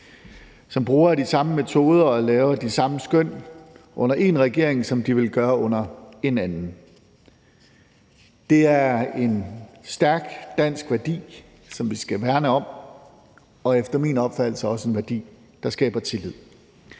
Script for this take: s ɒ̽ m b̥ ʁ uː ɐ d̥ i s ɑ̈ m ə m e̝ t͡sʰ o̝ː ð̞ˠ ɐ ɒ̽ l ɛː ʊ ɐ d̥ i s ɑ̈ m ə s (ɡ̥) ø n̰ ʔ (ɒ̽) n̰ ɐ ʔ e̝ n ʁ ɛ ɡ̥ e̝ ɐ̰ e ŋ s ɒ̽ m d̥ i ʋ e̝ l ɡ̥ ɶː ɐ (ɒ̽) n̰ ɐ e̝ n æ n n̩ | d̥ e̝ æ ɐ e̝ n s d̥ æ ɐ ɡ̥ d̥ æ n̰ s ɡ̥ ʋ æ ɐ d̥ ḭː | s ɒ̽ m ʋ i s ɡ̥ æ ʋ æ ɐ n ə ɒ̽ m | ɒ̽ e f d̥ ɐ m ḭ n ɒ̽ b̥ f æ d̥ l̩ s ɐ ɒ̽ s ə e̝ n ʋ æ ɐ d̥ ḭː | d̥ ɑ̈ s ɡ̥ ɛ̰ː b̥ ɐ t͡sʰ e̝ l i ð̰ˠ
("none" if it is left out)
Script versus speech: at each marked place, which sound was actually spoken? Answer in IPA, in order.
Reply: ɡ̥, ɔ̽, ɔ̽

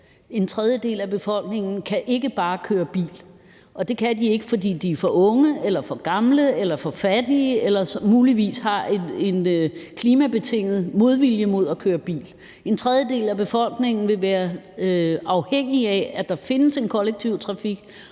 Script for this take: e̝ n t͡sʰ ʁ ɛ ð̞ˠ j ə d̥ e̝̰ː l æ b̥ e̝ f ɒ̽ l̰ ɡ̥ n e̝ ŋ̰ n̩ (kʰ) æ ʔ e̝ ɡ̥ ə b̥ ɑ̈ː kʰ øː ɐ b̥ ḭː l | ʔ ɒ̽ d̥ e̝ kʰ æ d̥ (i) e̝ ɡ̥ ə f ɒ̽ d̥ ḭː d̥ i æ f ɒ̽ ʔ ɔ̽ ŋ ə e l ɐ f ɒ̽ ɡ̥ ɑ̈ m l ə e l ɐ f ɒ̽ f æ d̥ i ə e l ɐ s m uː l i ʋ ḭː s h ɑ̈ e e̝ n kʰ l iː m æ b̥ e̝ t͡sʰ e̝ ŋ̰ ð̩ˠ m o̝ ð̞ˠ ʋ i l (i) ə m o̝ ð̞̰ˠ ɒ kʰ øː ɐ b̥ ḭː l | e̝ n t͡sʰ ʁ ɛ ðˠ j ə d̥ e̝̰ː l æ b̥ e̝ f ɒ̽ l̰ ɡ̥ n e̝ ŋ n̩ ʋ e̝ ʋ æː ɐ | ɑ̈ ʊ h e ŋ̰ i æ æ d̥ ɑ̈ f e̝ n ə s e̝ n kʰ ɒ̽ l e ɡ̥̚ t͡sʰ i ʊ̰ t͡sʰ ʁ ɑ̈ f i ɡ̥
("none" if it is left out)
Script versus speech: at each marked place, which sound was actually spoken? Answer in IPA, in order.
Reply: kʰ, i, j

